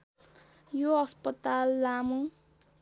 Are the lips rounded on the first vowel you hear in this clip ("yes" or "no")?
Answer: yes